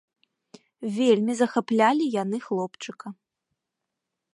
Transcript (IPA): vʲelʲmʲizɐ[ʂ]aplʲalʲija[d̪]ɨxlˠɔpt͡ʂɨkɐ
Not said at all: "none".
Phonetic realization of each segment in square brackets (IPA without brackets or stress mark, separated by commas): x, n̪